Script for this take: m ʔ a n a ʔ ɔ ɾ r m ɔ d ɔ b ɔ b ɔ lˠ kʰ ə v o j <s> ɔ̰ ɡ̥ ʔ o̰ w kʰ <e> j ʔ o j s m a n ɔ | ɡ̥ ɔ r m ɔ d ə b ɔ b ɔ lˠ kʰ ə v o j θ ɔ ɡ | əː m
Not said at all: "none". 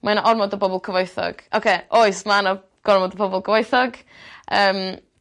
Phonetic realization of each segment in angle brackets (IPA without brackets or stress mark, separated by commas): θ, e